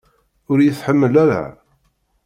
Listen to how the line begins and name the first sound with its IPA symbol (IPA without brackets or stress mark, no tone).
ʊ